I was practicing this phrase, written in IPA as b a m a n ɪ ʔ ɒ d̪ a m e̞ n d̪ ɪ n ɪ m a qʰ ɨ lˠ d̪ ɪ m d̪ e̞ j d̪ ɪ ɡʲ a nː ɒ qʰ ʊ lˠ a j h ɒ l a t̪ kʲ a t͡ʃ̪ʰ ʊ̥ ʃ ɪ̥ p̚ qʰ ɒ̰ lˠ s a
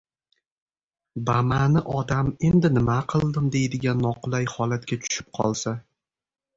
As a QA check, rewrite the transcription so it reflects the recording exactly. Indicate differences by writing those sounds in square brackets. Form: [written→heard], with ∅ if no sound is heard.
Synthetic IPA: b a m a n ɪ ʔ ɒ d̪ a m e̞ n d̪ ɪ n ɪ m a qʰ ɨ lˠ d̪ ɪ m d̪ e̞ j d̪ ɪ ɡʲ a nː ɒ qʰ ʊ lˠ a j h ɒ l a t̪ kʲ a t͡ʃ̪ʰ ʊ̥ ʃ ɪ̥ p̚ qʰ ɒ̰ lˠ s a